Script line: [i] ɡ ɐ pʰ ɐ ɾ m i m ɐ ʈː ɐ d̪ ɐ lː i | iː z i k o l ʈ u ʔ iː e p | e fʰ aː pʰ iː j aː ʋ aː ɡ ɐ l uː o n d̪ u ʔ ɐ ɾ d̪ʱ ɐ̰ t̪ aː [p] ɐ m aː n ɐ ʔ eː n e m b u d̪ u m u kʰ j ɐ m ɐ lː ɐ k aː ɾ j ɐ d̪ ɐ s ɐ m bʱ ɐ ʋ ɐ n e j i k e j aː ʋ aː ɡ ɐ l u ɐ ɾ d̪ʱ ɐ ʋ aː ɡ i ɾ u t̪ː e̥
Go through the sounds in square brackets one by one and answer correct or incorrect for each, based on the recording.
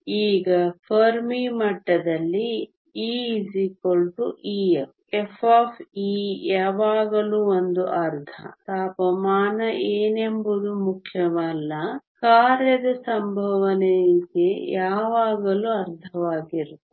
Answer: incorrect: iː, correct

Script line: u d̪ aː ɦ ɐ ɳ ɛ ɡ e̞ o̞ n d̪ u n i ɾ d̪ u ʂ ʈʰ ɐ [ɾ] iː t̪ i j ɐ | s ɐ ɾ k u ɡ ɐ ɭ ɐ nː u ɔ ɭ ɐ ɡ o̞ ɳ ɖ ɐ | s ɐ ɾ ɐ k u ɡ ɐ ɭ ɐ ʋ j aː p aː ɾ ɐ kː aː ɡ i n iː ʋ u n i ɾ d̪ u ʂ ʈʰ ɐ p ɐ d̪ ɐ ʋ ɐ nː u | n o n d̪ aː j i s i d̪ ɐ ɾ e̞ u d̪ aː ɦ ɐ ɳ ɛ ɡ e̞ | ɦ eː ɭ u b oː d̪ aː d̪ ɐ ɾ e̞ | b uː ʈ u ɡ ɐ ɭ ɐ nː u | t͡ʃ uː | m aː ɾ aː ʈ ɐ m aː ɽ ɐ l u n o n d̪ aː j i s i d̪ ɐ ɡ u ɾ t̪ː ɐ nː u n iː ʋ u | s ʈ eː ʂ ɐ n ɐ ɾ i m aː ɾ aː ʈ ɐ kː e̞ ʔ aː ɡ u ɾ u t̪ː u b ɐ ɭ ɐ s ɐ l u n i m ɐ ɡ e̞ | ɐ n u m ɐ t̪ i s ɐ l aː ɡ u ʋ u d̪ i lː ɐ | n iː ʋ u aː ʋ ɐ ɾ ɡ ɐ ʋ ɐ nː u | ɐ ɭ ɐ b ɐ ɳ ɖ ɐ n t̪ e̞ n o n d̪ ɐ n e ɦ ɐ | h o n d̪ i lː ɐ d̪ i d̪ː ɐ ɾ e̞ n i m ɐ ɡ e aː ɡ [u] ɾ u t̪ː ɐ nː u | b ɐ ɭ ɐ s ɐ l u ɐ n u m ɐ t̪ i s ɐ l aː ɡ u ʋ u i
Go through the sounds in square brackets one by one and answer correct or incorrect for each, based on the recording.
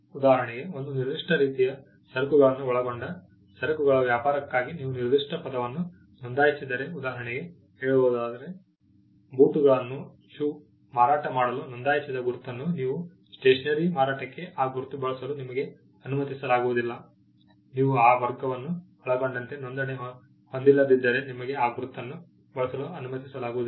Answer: correct, correct

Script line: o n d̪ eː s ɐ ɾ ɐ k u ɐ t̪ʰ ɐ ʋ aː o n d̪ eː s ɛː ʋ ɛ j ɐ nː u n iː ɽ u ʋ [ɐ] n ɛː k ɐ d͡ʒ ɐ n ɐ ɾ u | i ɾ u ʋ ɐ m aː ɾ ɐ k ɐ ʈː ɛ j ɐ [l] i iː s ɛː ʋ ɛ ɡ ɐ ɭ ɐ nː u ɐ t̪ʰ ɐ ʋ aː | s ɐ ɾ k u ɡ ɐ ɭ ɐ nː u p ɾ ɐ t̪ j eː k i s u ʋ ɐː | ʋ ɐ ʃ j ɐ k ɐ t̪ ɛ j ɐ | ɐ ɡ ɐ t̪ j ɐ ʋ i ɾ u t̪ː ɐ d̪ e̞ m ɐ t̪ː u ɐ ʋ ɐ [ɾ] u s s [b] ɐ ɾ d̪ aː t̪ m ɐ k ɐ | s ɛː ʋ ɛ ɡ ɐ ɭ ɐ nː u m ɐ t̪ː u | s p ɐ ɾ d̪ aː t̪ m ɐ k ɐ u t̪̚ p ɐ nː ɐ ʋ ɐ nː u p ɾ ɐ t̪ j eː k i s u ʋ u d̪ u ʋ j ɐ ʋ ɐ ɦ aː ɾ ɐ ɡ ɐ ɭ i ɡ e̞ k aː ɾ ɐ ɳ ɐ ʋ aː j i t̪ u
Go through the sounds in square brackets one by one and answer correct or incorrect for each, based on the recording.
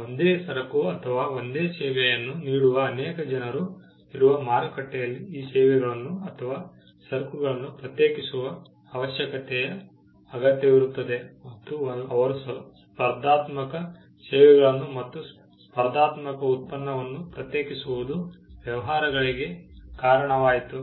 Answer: incorrect: ɐː, incorrect: lː, correct, incorrect: p

